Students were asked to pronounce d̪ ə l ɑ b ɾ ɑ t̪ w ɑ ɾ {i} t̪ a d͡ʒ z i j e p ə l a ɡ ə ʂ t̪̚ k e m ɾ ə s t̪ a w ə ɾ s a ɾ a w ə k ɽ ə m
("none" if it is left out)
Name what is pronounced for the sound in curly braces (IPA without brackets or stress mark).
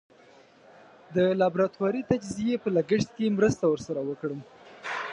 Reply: i